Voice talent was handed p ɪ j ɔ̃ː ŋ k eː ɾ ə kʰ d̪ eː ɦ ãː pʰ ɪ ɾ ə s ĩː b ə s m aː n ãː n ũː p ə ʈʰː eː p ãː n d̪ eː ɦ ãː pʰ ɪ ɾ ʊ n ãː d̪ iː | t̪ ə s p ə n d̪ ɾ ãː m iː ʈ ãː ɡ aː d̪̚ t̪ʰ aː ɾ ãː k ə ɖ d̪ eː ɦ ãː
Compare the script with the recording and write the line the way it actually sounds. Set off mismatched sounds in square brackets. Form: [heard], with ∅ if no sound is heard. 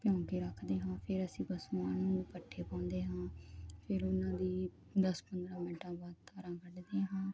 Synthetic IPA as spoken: p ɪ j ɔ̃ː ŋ k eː ɾ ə kʰ d̪ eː ɦ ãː pʰ ɪ ɾ ə s ĩː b ə s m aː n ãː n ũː p ə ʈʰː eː p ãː n d̪ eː ɦ ãː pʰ ɪ ɾ ʊ n ãː d̪ iː | [d̪] ə s p ə n d̪ ɾ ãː m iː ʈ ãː [b] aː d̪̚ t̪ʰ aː ɾ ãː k ə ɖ d̪ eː ɦ ãː